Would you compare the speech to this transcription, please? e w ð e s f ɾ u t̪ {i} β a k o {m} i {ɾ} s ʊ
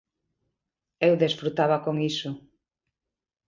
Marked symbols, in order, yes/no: no, no, no

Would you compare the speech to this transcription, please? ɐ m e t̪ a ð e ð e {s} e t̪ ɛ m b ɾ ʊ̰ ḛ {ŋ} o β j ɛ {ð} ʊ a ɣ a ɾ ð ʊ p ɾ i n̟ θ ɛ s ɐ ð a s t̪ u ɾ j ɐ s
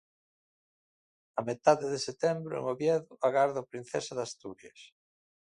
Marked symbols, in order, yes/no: yes, yes, yes

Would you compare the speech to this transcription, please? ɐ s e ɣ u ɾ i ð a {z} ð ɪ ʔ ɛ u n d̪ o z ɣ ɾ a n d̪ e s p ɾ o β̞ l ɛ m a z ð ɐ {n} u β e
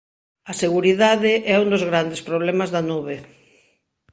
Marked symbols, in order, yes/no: no, yes

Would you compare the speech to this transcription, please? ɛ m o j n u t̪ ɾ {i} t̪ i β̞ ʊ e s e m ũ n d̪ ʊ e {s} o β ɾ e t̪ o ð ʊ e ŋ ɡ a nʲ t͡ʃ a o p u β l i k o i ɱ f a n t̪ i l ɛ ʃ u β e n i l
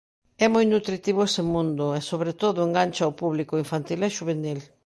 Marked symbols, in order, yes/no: yes, yes

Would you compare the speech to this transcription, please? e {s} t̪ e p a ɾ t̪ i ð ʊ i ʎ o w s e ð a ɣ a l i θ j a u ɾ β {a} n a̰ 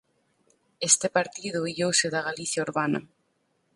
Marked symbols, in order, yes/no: yes, yes

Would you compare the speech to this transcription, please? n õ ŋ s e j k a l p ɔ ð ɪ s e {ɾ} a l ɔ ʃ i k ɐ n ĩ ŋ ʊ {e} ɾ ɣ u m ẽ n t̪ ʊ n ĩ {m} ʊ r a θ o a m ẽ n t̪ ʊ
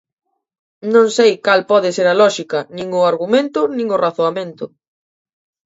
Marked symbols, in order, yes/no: yes, no, no

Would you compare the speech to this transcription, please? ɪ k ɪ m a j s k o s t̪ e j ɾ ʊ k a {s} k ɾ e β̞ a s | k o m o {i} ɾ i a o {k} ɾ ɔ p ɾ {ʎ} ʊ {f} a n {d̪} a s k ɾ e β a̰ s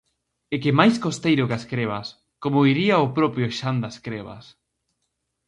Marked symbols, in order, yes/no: yes, yes, no, no, no, yes

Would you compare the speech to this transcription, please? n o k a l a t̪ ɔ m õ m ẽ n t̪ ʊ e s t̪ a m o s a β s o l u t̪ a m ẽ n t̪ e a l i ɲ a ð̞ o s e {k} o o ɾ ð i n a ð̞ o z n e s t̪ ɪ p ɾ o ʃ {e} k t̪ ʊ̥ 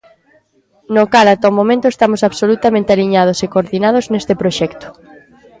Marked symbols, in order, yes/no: yes, no

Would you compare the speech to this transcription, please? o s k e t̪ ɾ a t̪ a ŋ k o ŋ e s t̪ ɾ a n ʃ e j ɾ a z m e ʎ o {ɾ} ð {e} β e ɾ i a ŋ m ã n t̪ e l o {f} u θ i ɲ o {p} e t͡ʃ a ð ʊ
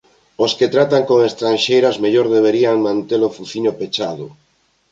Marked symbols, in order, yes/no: yes, yes, yes, yes

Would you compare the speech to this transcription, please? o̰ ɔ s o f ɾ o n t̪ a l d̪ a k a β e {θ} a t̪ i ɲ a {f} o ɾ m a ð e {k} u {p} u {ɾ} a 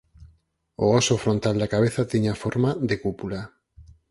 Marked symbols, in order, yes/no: yes, yes, yes, yes, no

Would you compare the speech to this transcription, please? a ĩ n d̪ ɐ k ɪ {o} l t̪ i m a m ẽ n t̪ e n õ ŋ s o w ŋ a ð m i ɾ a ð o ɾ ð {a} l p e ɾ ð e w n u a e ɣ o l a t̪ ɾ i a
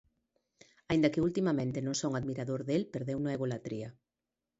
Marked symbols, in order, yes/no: no, no

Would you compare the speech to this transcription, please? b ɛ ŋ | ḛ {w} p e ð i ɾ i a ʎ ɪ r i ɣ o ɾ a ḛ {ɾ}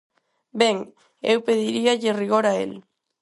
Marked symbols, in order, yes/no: yes, no

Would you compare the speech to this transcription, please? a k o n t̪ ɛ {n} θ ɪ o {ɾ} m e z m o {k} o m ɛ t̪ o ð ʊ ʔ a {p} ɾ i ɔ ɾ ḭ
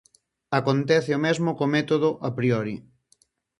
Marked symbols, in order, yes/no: no, no, yes, yes

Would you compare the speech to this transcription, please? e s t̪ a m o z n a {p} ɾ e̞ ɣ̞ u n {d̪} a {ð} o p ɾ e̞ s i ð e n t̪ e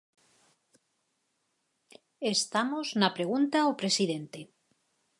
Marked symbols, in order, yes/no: yes, no, no

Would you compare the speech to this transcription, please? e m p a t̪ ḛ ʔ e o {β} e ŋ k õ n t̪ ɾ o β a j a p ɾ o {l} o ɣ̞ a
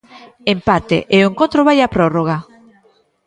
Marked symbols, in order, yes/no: no, no

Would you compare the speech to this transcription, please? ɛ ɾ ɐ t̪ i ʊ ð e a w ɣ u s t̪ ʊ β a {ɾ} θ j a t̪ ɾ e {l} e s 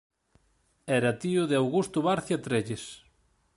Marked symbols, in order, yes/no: yes, no

